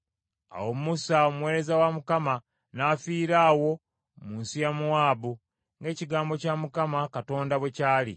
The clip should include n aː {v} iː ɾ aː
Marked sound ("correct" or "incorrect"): incorrect